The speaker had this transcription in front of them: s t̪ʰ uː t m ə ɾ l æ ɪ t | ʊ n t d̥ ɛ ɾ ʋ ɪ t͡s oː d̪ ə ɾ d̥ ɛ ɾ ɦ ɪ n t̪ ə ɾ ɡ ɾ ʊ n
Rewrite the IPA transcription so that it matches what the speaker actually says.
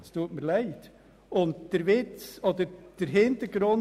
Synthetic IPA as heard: s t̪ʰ uː t m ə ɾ l æ ɪ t | ʊ n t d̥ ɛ ɾ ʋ ɪ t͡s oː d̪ ə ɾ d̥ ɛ ɾ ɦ ɪ n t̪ ə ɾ ɡ ɾ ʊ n

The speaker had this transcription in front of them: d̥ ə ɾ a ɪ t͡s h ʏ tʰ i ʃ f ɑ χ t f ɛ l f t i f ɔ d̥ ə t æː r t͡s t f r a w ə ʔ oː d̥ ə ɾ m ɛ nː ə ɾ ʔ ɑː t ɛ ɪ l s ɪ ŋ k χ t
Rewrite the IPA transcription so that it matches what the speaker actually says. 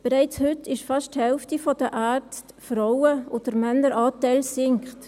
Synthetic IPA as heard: b̥ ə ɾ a ɪ t͡s h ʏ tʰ ɪ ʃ f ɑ ʃ t h ɛ l f t i f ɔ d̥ ə ʔ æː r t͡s t f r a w ə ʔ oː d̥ ə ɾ m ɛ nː ə ɾ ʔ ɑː t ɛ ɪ l s ɪ ŋ k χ t

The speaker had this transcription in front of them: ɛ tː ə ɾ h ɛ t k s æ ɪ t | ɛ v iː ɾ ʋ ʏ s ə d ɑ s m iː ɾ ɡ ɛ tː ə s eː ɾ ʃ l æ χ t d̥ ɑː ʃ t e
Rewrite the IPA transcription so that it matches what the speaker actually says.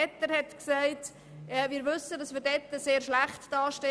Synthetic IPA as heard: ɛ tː ə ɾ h ɛ t k s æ ɪ t | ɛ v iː ɾ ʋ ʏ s ə d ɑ s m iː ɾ d ɛ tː ə s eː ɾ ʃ l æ χ t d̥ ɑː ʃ t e

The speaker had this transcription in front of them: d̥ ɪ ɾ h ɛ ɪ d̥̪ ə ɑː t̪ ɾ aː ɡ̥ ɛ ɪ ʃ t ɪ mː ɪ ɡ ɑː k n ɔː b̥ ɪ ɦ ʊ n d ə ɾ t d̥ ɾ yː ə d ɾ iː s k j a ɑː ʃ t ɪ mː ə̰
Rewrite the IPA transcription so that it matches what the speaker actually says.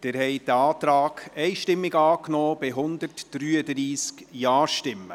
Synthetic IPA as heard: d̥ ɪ ɾ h ɛ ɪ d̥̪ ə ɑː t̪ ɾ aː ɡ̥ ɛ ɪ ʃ t ɪ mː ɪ ɡ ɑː k n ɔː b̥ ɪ ɦ ʊ n d ə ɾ t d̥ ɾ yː ə d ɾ iː s k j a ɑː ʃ t ɪ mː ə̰

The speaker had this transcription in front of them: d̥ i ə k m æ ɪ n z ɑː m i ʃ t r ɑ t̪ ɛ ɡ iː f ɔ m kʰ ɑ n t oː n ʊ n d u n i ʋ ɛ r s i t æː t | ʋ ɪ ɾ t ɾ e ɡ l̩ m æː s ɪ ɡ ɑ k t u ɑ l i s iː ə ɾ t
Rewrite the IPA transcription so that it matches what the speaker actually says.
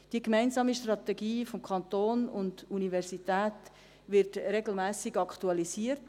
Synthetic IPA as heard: d̥ i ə k m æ ɪ n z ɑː m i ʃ t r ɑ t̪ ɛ ɡ iː f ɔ m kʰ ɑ n t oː n ʊ n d u n i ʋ ɛ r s i t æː t | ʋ ɪ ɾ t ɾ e ɡ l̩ m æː s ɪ ɡ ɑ k t u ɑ l i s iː ə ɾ t

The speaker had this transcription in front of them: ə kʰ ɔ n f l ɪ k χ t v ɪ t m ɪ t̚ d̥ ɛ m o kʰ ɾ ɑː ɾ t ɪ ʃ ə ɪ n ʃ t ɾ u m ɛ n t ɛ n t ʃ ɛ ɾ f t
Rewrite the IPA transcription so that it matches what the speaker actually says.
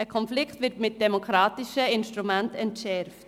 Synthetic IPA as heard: ə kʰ ɔ n f l ɪ k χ t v ɪ t m ɪ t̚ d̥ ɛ m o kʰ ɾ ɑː t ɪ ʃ ə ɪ n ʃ t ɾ u m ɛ n t ɛ n t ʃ ɛ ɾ f t

